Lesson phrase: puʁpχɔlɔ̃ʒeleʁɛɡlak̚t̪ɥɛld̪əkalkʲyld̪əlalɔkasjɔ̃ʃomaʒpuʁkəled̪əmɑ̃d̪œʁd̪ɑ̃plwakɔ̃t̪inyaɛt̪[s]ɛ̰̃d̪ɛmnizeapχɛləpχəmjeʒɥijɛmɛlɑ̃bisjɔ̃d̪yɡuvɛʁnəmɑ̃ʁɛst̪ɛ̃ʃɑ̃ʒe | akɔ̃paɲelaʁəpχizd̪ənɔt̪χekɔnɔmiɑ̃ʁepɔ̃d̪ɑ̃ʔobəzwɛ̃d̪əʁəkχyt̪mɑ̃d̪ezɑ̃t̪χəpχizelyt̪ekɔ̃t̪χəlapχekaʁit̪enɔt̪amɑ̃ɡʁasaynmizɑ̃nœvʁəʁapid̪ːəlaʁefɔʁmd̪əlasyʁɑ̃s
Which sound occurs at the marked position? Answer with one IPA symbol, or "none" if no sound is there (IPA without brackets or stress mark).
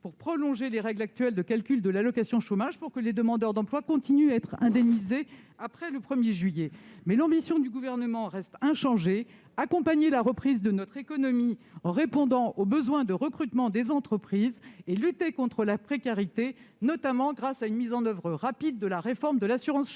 χ